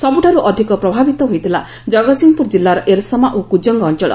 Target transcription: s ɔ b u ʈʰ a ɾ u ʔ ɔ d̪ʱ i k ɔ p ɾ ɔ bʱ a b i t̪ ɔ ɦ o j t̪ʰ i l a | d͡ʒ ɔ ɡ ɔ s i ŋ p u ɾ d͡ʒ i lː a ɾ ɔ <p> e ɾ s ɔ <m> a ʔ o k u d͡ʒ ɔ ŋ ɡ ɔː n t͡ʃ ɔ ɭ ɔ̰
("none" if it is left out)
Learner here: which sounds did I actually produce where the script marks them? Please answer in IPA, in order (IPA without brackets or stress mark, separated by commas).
ʔ, m